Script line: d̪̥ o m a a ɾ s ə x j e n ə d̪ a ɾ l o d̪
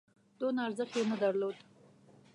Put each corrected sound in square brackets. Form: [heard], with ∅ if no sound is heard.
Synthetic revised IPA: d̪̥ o [n] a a ɾ [z] ə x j e n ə d̪ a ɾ l o d̪